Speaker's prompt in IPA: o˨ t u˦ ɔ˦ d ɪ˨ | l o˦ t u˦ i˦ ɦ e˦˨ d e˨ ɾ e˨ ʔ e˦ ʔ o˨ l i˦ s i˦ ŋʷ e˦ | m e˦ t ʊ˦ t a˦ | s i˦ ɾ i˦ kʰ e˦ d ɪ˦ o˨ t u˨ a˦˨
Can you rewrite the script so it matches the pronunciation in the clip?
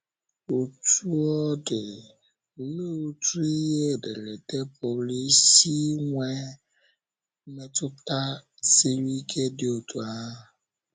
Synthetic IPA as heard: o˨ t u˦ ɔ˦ d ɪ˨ | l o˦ t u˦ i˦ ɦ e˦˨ d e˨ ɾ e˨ t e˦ p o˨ l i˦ s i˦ ŋʷ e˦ | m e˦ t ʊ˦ t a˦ | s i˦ ɾ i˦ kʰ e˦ d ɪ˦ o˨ t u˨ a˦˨

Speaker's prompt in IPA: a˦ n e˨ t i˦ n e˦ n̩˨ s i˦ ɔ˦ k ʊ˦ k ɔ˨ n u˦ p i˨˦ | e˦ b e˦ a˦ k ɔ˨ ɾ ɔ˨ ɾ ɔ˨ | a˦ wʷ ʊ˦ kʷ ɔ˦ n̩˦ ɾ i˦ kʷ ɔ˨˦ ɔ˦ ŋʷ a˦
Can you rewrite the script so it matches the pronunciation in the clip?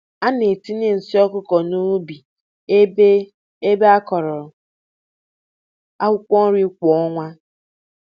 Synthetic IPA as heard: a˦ n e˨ t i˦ n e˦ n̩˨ s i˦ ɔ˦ k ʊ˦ k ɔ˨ n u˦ b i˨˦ | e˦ b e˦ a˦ k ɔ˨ ɾ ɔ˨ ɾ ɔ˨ | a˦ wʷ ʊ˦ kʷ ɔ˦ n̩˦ ɾ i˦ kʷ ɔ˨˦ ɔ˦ ŋʷ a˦

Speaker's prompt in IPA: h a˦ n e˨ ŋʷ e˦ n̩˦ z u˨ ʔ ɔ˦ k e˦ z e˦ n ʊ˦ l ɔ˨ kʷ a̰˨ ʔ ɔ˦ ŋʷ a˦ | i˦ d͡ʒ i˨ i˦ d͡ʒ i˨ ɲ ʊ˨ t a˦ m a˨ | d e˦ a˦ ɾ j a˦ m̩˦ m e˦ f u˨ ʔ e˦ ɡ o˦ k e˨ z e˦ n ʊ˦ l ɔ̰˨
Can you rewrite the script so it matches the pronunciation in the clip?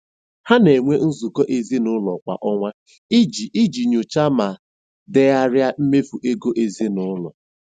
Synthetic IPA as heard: h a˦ n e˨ ŋʷ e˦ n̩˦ z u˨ k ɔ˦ ʔ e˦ z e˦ n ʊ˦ l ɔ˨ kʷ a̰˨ ʔ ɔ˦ ŋʷ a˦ | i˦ d͡ʒ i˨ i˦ d͡ʒ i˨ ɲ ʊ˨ t͡ʃ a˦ m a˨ | d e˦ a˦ ɾ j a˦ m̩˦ m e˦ f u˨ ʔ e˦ ɡ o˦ ʔ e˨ z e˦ n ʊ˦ l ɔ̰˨

